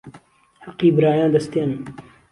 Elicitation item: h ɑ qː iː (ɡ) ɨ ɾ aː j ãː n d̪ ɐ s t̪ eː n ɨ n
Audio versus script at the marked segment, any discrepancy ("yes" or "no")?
yes